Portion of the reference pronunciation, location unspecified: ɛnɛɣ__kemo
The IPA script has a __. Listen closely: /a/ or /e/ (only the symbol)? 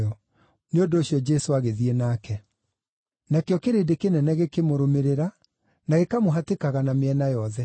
e